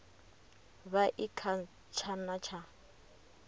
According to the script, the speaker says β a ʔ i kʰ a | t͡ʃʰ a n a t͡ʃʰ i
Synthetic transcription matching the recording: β a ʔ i kʰ a | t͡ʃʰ a n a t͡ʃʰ a